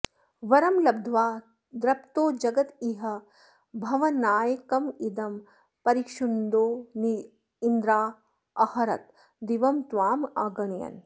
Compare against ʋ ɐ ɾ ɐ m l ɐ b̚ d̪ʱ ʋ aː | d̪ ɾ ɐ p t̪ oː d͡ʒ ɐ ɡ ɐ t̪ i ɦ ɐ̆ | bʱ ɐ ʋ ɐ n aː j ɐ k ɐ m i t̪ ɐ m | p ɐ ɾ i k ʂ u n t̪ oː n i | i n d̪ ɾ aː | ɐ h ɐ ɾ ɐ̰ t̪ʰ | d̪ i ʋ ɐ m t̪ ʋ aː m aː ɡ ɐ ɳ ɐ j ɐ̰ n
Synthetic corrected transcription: ʋ ɐ ɾ ɐ m l ɐ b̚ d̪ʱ ʋ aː | d̪ ɾ ɐ p t̪ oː d͡ʒ ɐ ɡ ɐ t̪ i ɦ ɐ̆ | bʱ ɐ ʋ ɐ n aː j ɐ k ɐ m i d̪ ɐ m | p ɐ ɾ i k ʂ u n d̪ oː n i | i n d̪ ɾ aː | ɐ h ɐ ɾ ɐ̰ t̪ | d̪ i ʋ ɐ m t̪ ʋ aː m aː ɡ ɐ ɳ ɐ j ɐ̰ n